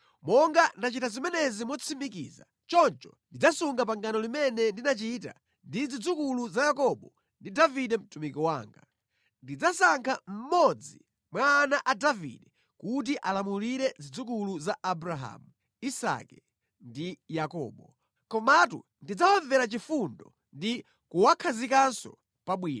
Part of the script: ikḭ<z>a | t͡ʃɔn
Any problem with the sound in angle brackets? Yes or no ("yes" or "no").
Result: no